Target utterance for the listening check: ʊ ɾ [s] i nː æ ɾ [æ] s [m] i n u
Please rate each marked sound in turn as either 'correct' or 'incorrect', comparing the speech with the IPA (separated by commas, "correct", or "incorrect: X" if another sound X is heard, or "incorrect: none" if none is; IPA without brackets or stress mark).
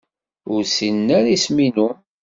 correct, incorrect: i, correct